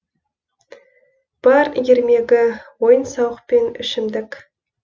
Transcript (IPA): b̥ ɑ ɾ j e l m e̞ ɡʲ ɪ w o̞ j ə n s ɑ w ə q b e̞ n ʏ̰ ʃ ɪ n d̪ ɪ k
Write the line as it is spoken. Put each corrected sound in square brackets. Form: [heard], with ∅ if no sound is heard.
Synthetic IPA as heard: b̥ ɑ ɾ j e [ɾ] m e̞ ɡʲ ɪ w o̞ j ə n s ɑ w ə q [p] e̞ n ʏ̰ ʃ ɪ [m] d̪ ɪ k